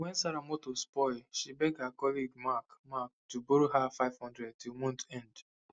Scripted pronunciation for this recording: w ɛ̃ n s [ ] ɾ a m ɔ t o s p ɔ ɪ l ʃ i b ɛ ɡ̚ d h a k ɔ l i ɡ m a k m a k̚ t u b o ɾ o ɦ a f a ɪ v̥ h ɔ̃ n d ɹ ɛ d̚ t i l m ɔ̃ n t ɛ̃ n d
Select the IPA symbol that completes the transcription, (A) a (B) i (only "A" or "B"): A